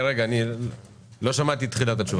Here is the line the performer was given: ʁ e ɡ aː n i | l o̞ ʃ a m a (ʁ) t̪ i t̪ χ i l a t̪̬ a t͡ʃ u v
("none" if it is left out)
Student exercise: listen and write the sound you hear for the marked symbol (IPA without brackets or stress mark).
none